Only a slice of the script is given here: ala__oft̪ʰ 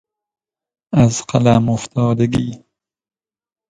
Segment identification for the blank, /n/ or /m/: m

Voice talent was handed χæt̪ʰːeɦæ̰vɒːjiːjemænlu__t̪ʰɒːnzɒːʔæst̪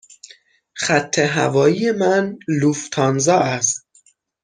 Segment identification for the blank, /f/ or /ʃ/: f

